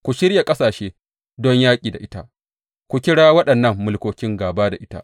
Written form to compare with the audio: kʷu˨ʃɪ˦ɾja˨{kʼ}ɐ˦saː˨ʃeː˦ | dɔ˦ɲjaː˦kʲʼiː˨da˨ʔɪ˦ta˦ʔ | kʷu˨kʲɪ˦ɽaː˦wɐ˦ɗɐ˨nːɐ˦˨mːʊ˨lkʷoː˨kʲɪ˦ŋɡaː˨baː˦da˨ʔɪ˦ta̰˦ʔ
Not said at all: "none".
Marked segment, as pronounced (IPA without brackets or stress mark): kʼ